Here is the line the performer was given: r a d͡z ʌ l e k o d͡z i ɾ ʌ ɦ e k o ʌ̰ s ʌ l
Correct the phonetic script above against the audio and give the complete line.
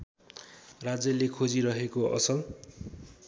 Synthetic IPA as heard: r a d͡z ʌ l e kʰ o d͡z i ɾ ʌ ɦ e k o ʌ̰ s ʌ l